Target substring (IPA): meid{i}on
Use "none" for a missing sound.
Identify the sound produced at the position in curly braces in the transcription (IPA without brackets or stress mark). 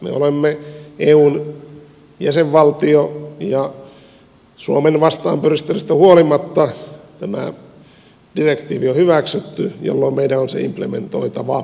æ